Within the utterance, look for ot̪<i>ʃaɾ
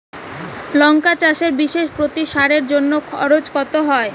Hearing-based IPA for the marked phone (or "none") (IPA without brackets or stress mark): i